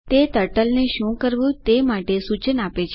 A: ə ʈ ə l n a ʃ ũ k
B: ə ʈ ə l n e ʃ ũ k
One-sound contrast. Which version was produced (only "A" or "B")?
B